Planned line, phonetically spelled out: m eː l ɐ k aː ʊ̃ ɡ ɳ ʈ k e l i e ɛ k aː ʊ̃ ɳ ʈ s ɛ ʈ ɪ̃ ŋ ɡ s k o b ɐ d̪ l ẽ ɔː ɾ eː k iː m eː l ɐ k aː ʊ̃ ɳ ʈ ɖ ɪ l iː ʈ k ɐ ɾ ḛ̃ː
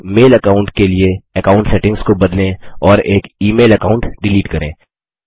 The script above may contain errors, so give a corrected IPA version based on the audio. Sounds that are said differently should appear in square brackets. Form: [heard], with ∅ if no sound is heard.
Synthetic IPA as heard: m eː l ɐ k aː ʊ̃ [∅] ɳ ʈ k e l i e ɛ k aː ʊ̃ ɳ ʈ s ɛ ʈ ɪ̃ ŋ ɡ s k o b ɐ d̪ l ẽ ɔː ɾ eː k iː m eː l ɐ k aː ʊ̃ ɳ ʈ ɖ ɪ l iː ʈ k ɐ ɾ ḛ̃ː